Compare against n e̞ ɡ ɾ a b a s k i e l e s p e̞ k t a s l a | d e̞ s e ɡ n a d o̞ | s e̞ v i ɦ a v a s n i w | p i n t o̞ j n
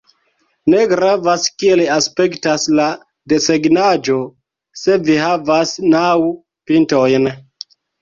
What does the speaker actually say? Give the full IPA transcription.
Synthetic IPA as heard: n e̞ ɡ ɾ a v a s k i e l a s p e̞ k t a s l a | d e̞ s e ɡ n a d͡ʒ o̞ | s e̞ v i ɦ a v a s n a w | p i n t o̞ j n

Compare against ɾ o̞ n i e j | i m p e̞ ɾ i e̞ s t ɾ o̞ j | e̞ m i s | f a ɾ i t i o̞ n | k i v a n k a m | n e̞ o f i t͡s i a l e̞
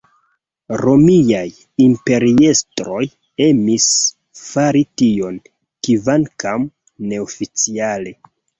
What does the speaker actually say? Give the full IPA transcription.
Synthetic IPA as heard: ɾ o̞ m i a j | i m p e̞ ɾ i e̞ s t ɾ o̞ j | e̞ m i s | f a ɾ i t i o̞ n | k i v a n k a m | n e̞ o f i t͡s i a l e̞

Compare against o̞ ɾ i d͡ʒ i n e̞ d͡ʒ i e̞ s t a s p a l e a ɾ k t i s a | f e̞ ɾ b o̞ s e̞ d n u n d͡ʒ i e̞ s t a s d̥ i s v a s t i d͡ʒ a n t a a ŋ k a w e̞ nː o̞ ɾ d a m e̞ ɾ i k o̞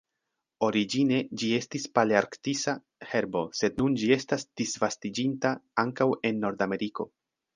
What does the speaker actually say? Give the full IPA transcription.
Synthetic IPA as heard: o̞ ɾ i d͡ʒ i n e̞ d͡ʒ i e̞ s t i s p a l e a ɾ k t i s a | h e̞ ɾ b o̞ s e̞ d n u n d͡ʒ i e̞ s t a s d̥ i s v a s t i d͡ʒ i n t a a ŋ k a w e̞ nː o̞ ɾ d a m e̞ ɾ i k o̞

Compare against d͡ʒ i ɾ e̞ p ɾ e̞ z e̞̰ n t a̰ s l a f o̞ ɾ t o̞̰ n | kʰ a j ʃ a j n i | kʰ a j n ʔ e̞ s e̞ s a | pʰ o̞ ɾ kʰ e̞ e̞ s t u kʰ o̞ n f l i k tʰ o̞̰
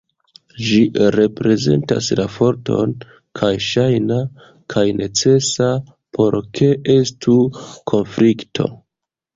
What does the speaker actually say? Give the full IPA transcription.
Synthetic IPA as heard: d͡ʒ i ɾ e̞ p ɾ e̞ z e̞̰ n t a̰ s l a f o̞ ɾ t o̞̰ n | kʰ a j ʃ a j n a | kʰ a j n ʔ e̞ t͡s e̞ s a | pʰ o̞ ɾ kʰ e̞ e̞ s t u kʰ o̞ n f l i k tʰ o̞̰

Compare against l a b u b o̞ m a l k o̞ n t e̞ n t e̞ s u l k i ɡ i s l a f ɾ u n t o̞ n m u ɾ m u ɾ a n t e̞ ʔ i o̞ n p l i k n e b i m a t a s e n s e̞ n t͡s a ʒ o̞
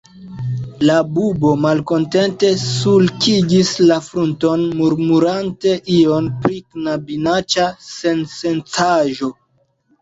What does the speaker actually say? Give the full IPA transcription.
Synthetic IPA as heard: l a b u b o̞ m a l k o̞ n t e̞ n t e̞ s u l k i ɡ i s l a f ɾ u n t o̞ n m u ɾ m u ɾ a n t e̞ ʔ i o̞ n p ɾ i k n a b i n a t͡ʃ a s e n s e̞ n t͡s a ʒ o̞

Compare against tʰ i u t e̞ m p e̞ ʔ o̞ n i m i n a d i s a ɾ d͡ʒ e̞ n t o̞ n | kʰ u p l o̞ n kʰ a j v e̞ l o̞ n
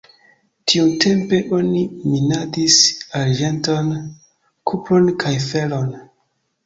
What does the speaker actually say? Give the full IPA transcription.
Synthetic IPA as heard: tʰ i u t e̞ m p e̞ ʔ o̞ n i m i n a d i s a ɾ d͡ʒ e̞ n t o̞ n | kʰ u p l o̞ n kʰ a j f e̞ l o̞ n

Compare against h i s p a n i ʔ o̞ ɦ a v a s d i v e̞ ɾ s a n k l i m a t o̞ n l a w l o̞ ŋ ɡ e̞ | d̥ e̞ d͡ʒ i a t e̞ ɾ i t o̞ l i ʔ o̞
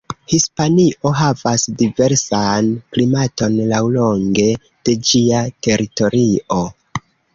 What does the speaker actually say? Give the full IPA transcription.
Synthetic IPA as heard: h i s p a n i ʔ o̞ ɦ a v a s d i v e̞ ɾ s a n k l i m a t o̞ n l a w l o̞ ŋ ɡ e̞ | d̥ e̞ d͡ʒ i a t e̞ ɾ i t o̞ ɾ i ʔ o̞

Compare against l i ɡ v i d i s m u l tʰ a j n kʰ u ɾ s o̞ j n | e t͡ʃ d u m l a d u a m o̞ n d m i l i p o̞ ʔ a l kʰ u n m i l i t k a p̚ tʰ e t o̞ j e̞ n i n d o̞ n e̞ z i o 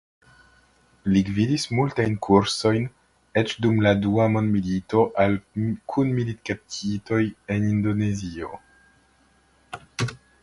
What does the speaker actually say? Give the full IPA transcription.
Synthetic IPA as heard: l i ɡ v i d i s m u l t a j n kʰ u ɾ s o̞ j n | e t͡ʃ d u m l a d u a m o̞ n d m i l i t o̞ ʔ a l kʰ u n m i l i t k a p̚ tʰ i t o̞ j e̞ n i n d o̞ n e̞ z i o

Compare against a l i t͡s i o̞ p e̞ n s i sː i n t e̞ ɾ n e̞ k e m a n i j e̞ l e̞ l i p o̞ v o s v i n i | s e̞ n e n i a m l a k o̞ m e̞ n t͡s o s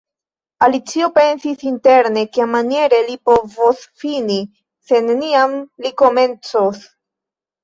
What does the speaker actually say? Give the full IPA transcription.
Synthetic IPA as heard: a l i t͡s i o̞ p e̞ n s i s i n t e̞ ɾ n e̞ k e m a n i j e̞ ɾ e̞ l i p o̞ v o s f i n i | s e̞ n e n i a m l i k o̞ m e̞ n t͡s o s

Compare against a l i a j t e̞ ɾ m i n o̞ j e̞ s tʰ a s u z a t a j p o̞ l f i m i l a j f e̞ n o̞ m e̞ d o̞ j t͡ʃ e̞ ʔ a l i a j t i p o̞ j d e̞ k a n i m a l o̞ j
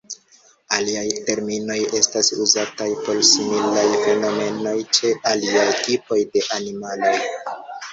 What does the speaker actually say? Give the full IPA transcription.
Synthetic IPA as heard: a l i a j t e̞ ɾ m i n o̞ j e̞ s t a s u z a t a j p o̞ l s i m i l a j f e̞ n o̞ m e̞ n o̞ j t͡ʃ e̞ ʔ a l i a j t i p o̞ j d e̞ ʔ a n i m a l o̞ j

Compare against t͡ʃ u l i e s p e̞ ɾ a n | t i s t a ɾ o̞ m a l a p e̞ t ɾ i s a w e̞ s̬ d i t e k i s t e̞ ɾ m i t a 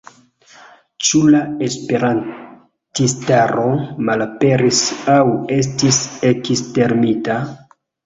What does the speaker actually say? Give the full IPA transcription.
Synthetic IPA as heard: t͡ʃ u l a e s p e̞ ɾ a n | t i s t a ɾ o̞ m a l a p e̞ ɾ i s a w e̞ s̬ t i s e k i s t e̞ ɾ m i t a

